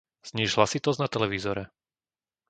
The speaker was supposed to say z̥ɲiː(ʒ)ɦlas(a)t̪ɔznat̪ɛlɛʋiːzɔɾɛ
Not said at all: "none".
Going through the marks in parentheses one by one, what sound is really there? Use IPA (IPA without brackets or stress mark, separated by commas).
ʒ, i